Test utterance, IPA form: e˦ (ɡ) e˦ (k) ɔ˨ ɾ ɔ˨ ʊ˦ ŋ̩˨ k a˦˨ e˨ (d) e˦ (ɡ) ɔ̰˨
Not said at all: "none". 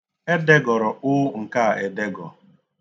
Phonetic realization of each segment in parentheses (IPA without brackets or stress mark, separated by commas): d, ɡ, d, ɡ